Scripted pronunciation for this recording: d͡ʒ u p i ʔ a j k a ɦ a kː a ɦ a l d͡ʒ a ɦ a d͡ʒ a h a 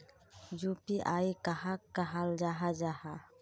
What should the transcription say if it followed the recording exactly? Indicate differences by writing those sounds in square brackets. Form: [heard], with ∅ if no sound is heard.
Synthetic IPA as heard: d͡ʒ u p i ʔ a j k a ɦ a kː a ɦ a l d͡ʒ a ɦ a d͡ʒ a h a